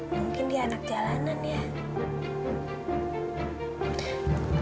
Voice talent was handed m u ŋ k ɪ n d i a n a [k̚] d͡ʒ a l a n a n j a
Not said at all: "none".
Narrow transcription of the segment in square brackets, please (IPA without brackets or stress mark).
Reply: k̚